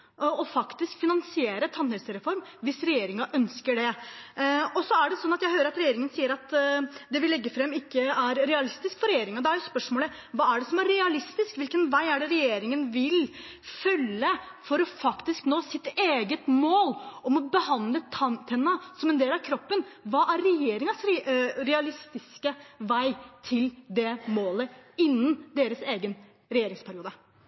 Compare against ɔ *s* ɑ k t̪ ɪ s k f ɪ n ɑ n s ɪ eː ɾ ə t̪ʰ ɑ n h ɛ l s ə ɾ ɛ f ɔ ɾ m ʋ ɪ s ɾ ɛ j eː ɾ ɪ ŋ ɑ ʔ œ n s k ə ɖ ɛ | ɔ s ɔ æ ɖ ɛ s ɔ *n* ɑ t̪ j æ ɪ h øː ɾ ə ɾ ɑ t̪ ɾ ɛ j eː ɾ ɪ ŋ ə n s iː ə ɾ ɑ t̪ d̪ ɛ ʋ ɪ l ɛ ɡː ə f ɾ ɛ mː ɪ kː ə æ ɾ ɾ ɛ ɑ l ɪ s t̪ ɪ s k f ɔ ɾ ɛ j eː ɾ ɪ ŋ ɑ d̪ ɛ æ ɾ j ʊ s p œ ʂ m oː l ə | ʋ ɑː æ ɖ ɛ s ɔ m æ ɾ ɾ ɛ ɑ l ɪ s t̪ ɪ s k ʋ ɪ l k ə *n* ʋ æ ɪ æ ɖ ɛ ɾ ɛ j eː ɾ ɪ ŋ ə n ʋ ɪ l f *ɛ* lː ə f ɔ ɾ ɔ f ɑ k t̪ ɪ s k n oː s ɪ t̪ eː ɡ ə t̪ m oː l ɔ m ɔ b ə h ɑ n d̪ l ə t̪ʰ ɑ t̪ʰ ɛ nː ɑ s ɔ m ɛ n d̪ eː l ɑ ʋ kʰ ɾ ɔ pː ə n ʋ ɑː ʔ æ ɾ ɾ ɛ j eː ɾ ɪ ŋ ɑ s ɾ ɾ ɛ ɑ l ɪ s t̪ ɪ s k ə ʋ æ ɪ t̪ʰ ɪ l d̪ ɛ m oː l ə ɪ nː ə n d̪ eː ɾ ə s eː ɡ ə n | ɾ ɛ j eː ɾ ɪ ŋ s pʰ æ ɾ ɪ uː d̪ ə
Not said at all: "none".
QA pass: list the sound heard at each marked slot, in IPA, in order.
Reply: f, nː, n, œ

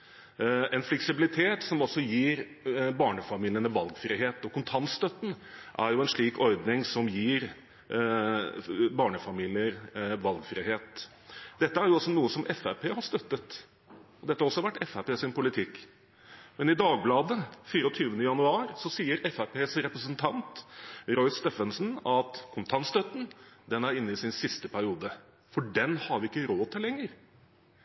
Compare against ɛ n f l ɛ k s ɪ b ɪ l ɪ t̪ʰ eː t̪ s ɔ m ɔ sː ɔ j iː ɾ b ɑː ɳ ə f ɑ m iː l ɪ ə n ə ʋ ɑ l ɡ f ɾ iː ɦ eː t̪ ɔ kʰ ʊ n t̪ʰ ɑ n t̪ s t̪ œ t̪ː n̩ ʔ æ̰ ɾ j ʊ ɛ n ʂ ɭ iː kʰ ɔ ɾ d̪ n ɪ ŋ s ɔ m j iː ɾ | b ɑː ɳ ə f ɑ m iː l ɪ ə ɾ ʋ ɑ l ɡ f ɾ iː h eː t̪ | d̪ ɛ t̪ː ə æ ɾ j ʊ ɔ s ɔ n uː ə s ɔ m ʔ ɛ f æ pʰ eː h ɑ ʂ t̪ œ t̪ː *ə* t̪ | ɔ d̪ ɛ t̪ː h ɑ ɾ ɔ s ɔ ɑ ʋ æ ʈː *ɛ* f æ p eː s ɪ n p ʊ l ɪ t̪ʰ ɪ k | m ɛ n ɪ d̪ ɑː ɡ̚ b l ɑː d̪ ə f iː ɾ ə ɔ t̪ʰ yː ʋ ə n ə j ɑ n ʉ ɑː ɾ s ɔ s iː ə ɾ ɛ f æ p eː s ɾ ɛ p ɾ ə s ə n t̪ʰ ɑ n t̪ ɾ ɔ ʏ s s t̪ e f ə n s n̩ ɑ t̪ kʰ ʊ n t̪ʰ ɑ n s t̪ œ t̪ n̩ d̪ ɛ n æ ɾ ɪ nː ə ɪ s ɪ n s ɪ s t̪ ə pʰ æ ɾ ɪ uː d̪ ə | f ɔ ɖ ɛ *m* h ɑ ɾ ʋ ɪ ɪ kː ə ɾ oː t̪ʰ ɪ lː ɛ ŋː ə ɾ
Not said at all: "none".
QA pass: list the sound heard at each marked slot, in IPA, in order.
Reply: ə, ɛ, n

